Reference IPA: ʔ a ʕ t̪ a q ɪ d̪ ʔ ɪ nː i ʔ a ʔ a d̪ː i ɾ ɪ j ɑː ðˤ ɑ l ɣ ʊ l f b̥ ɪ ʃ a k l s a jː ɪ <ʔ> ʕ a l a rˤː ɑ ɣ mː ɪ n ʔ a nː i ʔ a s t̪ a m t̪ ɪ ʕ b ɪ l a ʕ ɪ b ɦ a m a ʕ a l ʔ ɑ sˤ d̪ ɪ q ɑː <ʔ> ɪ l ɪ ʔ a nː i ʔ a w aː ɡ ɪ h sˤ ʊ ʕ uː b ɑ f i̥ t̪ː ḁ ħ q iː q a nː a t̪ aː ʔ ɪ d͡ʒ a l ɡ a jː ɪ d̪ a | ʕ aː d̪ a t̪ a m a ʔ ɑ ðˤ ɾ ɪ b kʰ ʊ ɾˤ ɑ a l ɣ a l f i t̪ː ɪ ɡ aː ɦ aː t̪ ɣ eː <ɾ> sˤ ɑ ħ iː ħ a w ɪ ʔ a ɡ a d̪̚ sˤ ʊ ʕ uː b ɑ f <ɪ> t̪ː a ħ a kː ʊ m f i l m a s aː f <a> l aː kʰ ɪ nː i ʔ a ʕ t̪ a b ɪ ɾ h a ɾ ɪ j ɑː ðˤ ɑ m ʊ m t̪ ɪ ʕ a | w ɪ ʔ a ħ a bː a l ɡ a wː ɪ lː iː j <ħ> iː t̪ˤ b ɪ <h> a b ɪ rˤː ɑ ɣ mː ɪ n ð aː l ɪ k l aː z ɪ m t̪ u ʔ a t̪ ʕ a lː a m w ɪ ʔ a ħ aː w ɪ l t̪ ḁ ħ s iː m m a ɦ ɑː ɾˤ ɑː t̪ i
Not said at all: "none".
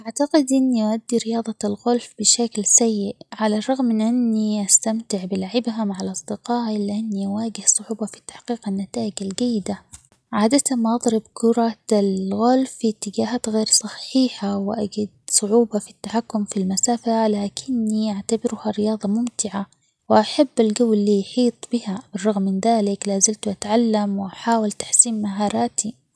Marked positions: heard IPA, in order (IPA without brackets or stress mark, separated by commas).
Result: ʔ, ʔ, ɾ, i, a, ħ, h